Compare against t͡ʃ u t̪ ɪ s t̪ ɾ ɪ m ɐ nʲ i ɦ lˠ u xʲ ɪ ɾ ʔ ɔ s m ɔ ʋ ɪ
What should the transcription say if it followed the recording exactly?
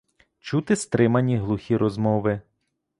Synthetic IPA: t͡ʃ u t̪ ɪ s t̪ ɾ ɪ m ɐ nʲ i ɦ lˠ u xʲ i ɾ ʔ ɔ z m ɔ ʋ ɪ